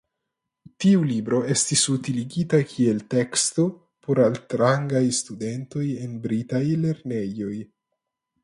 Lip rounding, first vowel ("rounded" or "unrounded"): unrounded